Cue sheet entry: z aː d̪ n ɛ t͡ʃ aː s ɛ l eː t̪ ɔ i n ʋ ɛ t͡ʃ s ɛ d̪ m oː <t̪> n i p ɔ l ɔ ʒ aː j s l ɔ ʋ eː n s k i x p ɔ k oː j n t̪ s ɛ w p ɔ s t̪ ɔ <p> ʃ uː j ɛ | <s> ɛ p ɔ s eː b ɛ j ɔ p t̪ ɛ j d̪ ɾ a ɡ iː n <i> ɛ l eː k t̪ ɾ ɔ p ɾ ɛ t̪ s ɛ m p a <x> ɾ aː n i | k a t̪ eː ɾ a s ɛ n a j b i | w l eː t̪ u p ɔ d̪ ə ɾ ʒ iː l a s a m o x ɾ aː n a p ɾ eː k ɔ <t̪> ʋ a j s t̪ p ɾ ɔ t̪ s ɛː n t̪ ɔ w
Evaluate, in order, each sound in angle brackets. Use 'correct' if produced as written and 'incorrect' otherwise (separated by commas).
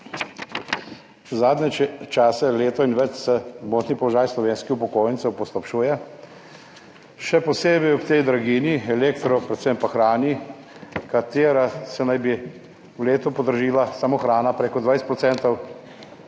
correct, correct, incorrect, correct, correct, incorrect